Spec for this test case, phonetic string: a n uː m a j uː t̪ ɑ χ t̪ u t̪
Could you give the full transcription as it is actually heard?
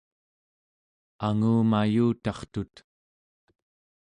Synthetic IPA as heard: a ŋ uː m a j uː t̪ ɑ χ t̪ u t̪